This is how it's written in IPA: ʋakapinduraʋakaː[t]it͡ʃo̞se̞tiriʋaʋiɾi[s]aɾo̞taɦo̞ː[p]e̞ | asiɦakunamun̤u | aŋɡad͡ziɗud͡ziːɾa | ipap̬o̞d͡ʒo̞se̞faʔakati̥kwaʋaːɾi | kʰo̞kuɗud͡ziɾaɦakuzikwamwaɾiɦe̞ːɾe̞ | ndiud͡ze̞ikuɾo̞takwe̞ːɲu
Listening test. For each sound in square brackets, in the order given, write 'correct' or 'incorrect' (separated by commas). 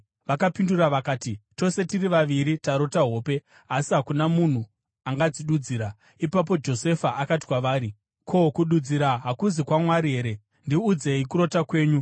correct, incorrect, correct